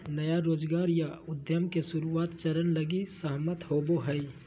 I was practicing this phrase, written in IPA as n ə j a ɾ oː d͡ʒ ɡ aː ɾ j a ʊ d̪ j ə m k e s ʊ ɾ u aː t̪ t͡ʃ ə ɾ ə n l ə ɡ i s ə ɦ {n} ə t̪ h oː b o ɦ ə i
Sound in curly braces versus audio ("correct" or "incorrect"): incorrect